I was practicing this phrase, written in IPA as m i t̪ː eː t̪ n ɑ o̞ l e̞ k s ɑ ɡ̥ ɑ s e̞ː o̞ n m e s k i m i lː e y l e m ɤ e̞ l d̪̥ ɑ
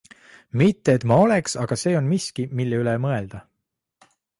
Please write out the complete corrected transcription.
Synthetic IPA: m i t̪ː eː t̪ m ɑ o̞ l e̞ k s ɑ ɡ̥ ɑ s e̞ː o̞ n m i s k i m i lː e y l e m ɤ e̞ l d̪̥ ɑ